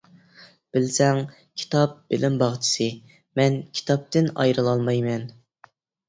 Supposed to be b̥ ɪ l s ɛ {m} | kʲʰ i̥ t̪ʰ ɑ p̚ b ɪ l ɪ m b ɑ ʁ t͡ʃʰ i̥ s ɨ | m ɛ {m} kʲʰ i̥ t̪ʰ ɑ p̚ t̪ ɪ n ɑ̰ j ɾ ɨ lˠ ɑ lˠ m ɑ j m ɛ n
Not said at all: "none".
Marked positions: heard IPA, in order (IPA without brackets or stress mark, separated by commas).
ŋ, n